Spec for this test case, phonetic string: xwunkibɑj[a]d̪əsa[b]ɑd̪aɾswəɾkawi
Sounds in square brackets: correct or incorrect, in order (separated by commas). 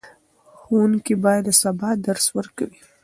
correct, correct